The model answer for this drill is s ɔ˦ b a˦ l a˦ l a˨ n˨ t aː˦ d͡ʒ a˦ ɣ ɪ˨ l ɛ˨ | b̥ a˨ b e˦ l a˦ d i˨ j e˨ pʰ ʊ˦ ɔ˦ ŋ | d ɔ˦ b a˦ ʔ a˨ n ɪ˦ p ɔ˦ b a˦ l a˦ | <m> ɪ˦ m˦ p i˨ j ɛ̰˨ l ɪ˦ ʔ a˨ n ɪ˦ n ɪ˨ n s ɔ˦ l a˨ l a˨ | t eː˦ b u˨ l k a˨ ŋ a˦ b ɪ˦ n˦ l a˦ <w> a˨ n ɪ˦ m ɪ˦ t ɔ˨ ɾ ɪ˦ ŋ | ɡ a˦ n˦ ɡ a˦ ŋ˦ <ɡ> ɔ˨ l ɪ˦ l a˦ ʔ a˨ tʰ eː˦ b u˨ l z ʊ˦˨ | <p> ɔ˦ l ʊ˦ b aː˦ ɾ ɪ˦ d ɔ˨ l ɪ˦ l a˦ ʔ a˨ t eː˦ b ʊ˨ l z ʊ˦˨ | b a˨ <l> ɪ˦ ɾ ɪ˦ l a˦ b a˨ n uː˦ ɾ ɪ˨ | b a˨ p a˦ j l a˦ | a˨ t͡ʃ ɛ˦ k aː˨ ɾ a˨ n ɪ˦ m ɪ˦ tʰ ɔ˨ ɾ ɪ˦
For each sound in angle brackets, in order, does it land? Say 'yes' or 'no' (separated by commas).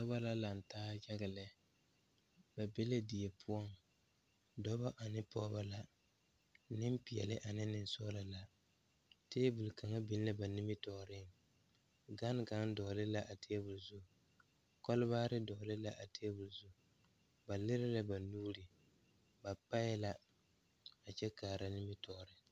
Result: no, no, no, no, yes